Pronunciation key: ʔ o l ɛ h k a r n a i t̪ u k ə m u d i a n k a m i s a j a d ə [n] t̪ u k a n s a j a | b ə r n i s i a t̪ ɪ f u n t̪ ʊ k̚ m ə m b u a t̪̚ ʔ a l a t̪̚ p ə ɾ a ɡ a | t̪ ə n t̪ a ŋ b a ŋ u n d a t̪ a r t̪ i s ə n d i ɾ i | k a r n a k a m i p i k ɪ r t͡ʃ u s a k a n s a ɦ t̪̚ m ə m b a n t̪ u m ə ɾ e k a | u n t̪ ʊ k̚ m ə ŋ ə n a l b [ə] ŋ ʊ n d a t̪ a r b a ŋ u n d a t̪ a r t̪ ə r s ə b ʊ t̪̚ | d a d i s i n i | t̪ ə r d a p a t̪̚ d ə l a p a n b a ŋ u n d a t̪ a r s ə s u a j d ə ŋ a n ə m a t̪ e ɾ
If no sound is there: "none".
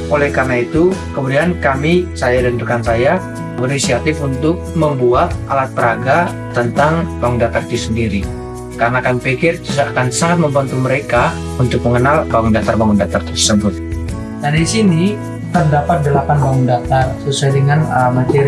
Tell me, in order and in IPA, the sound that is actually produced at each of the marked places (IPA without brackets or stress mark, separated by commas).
n, a